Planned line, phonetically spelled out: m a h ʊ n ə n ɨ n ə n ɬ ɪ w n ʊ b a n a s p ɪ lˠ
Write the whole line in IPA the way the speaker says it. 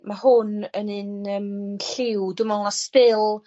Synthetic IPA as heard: m a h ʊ n ə n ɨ n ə m ɬ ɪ w d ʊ m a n a s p ɪ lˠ